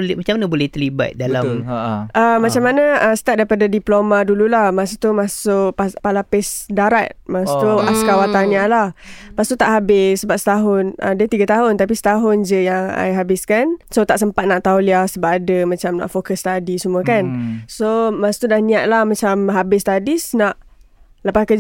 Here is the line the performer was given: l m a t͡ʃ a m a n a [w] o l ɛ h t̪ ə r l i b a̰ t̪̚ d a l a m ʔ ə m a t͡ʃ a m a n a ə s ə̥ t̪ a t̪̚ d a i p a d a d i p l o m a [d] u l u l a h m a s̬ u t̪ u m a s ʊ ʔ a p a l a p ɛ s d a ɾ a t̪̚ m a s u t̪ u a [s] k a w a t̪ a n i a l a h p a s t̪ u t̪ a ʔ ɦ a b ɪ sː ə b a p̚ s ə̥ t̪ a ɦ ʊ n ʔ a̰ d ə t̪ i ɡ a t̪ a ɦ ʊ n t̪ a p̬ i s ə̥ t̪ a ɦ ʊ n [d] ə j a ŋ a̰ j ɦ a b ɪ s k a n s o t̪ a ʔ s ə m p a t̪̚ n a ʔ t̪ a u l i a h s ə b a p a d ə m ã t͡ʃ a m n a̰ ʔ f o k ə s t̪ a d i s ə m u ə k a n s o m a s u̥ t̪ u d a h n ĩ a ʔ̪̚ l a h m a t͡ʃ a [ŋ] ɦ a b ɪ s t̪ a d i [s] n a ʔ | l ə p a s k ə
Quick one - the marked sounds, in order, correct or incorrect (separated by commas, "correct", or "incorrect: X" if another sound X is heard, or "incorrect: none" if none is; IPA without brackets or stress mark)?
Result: incorrect: b, correct, correct, incorrect: d͡ʒ, incorrect: m, correct